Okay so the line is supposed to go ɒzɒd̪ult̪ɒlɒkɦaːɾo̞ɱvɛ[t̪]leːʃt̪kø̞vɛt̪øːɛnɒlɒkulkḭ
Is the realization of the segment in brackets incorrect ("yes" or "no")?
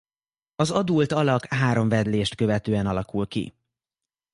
yes